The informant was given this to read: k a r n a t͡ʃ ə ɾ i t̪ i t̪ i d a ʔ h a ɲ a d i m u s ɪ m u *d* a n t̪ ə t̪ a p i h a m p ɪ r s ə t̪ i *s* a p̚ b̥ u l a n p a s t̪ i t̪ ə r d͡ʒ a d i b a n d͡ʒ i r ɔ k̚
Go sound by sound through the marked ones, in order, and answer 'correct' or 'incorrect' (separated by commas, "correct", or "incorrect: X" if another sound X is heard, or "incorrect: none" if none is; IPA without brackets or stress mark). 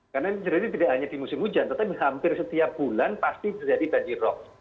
incorrect: d͡ʒ, incorrect: none